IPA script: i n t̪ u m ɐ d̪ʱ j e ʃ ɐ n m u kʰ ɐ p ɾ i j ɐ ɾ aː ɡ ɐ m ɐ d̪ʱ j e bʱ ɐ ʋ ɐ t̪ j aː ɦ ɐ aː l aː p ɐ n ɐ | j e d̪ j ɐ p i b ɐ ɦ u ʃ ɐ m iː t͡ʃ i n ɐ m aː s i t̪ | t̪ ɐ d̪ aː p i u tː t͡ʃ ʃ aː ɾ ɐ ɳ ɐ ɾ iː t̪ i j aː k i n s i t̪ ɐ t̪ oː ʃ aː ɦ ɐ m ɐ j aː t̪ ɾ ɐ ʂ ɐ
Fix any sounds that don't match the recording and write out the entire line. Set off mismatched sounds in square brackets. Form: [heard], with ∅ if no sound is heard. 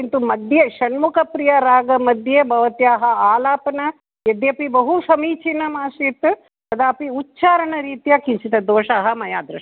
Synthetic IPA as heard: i n t̪ u m ɐ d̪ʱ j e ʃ ɐ n m u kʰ ɐ p ɾ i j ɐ ɾ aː ɡ ɐ m ɐ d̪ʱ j e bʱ ɐ ʋ ɐ t̪ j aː ɦ ɐ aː l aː p ɐ n ɐ | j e d̪ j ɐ p i b ɐ ɦ u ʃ ɐ m iː t͡ʃ i n ɐ m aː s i t̪ | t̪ ɐ d̪ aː p i u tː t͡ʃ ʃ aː ɾ ɐ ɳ ɐ ɾ iː t̪ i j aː k i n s i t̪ ɐ [d̪] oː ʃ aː ɦ ɐ m ɐ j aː [d̪] ɾ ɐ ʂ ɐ